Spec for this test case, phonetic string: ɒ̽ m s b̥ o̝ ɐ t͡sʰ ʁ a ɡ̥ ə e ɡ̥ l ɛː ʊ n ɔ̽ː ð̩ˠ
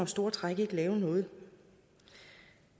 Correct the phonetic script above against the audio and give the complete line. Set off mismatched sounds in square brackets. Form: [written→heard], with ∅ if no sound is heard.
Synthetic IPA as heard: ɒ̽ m s [b̥→d̥] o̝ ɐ t͡sʰ ʁ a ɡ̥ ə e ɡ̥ l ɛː ʊ n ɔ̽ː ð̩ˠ